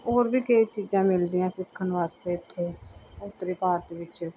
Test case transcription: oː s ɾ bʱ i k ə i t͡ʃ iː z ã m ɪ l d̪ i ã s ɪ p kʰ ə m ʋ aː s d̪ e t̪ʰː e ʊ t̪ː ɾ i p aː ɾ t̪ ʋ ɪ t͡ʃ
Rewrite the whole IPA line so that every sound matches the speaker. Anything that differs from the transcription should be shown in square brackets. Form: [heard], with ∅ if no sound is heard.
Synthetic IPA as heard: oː [∅] ɾ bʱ i k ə i t͡ʃ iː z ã m ɪ l d̪ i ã s ɪ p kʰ ə [n] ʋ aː s [t̪] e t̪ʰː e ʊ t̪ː ɾ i p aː ɾ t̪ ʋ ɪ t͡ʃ